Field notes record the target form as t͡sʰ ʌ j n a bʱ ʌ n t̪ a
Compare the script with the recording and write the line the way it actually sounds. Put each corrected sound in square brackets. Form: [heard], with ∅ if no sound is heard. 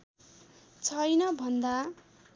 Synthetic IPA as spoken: t͡sʰ ʌ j n [ʌ] bʱ ʌ n [d̪] a

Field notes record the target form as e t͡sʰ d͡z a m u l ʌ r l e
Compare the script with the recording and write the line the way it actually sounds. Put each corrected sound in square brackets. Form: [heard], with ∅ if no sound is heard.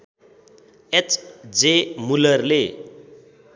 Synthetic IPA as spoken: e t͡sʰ d͡z [e] m u l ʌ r l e

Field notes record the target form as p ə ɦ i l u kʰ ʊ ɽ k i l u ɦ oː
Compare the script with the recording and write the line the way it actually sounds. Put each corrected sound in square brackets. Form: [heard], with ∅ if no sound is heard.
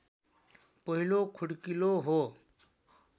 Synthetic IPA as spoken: p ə ɦ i l [o] kʰ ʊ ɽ k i l [o] ɦ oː

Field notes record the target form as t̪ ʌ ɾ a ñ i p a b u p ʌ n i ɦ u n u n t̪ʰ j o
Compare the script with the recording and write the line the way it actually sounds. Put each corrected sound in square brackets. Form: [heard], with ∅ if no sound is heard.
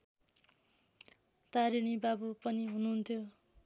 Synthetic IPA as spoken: t̪ [a] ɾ [i] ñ i [b] a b u p ʌ n i ɦ u n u n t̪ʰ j o

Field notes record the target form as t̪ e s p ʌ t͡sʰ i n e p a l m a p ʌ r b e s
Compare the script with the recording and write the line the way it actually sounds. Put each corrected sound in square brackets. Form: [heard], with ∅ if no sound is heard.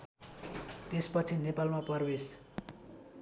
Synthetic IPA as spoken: t̪ e s p ʌ t͡sʰ i n e p a l m a p ʌ r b e s

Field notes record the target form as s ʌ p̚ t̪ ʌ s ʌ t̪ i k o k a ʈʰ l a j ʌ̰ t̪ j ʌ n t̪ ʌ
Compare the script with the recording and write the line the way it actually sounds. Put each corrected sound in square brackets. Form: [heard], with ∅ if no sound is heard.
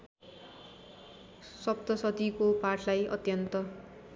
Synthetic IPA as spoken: s ʌ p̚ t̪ ʌ s ʌ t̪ i k o [p] a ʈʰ l a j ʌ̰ t̪ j ʌ n t̪ ʌ

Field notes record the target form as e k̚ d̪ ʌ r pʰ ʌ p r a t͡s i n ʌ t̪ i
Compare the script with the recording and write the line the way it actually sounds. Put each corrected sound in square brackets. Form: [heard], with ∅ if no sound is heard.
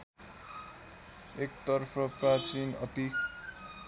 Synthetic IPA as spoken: e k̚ [t̪] ʌ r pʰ ʌ p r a t͡s i n ʌ t̪ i

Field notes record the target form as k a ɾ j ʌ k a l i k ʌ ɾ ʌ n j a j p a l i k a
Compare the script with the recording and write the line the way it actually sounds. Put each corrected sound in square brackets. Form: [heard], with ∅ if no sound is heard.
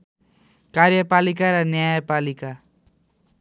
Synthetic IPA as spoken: k a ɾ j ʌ [p] a l i k [a] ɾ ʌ n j a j p a l i k a

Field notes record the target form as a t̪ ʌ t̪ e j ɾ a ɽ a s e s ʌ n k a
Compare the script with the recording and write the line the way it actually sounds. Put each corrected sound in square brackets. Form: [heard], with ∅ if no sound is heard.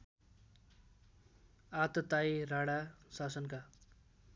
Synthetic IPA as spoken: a t̪ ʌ t̪ [a] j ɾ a ɽ a s [a] s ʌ n k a

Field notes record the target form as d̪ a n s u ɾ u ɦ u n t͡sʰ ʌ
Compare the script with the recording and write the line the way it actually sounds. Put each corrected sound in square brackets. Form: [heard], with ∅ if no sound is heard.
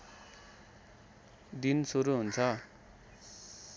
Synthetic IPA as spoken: d̪ [i] n s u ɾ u ɦ u n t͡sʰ ʌ

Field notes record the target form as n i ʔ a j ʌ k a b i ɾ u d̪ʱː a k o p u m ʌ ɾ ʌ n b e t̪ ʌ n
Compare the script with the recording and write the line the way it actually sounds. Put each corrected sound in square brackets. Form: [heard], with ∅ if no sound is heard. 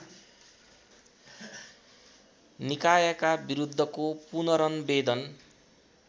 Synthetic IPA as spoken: n i [k] a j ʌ k a b i ɾ u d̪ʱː [ʌ] k o p u [n] ʌ ɾ ʌ n b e [d̪] ʌ n

